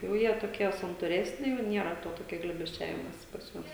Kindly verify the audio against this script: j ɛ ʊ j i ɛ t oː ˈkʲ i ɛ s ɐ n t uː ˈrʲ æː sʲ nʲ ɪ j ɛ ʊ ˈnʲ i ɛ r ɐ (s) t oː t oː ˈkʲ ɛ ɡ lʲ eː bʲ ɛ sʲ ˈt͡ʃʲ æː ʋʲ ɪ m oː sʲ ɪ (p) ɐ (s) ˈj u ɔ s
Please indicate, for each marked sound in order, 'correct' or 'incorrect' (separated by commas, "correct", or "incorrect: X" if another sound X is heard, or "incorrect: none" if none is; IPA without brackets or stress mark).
incorrect: none, correct, correct